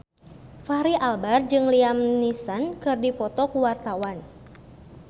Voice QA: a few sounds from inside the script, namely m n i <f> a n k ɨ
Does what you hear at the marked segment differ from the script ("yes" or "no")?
yes